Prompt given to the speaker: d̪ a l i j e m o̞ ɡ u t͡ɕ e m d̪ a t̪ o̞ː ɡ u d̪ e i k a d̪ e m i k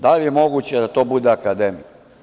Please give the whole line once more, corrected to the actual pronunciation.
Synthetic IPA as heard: d̪ a l i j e m o̞ ɡ u t͡ɕ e d̪ a t̪ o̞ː b u d̪ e a k a d̪ e m i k